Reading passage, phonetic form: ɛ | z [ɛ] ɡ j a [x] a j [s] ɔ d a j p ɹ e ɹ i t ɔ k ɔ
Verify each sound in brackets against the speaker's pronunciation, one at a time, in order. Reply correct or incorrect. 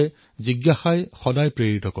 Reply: incorrect, correct, incorrect

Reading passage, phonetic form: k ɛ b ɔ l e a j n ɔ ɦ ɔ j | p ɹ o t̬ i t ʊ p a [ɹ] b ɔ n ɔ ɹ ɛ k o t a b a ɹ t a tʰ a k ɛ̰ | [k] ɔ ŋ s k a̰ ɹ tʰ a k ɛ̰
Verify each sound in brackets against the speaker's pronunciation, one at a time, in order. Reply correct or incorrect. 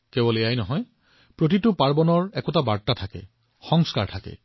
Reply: correct, incorrect

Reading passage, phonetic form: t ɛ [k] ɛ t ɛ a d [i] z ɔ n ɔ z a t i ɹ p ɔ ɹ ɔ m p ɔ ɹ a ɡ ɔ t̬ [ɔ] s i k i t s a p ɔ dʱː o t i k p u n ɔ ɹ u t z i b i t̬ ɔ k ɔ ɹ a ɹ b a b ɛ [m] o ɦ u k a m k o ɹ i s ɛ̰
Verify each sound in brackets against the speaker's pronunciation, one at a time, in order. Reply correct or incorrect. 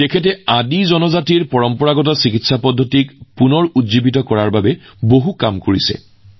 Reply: incorrect, correct, correct, incorrect

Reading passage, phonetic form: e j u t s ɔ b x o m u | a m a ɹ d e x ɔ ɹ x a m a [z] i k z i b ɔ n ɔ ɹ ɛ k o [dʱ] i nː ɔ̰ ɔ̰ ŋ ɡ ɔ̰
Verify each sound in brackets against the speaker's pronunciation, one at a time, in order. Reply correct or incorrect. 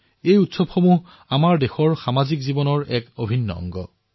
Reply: correct, incorrect

